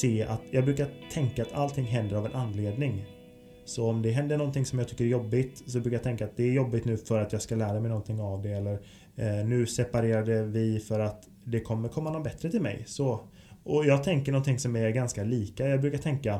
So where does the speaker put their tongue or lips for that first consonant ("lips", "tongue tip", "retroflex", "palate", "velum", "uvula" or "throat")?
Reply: tongue tip